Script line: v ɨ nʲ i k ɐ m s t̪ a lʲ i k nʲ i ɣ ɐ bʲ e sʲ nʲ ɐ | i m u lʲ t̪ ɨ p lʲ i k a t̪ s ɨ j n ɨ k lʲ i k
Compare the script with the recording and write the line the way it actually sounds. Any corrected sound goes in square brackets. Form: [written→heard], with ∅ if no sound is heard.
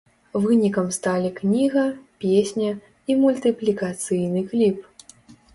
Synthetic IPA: v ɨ nʲ i k ɐ m s t̪ a lʲ i k nʲ i ɣ ɐ [bʲ→pʲ] e sʲ nʲ ɐ | i m u lʲ t̪ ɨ p lʲ i k a t̪ s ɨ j n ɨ k lʲ i [k→p]